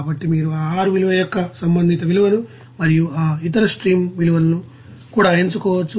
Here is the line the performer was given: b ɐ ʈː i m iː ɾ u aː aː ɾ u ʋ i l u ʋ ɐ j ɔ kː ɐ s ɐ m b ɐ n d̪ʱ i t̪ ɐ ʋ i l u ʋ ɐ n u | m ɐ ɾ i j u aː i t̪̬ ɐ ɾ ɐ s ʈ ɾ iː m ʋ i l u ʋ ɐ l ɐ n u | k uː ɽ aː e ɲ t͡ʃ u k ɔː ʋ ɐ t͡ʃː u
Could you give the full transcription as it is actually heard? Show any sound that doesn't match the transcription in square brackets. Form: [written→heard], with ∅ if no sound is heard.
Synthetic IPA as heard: b ɐ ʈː i m iː ɾ u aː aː ɾ u ʋ i l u ʋ ɐ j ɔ kː ɐ s ɐ m b ɐ n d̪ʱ i t̪ ɐ ʋ i l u ʋ ɐ n u | m ɐ ɾ i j u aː i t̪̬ ɐ ɾ ɐ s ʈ ɾ iː m ʋ i l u ʋ ɐ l ɐ n u | k uː ɽ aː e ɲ t͡ʃ u k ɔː ʋ ɐ t͡ʃː u